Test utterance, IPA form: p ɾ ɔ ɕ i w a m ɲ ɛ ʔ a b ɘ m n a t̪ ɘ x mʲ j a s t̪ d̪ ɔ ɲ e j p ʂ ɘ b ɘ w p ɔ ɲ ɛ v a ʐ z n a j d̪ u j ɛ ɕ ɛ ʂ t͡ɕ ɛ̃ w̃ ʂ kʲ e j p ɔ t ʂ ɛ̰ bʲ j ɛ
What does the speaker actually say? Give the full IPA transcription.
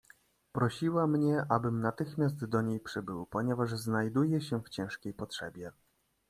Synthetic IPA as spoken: p ɾ ɔ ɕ i w a m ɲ ɛ ʔ a b ɘ m n a t̪ ɘ x mʲ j a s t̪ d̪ ɔ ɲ e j p ʂ ɘ b ɘ w p ɔ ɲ ɛ v a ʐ z n a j d̪ u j ɛ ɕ ɛ f t͡ɕ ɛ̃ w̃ ʂ kʲ e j p ɔ t ʂ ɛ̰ bʲ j ɛ